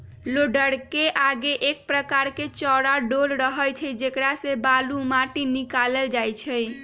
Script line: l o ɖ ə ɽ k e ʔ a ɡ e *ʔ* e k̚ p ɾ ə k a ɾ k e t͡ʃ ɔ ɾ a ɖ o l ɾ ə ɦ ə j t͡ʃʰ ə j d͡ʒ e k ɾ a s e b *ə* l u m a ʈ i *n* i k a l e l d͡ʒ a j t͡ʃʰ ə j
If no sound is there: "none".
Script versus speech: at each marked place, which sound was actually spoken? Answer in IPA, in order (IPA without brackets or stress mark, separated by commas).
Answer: ʔ, a, n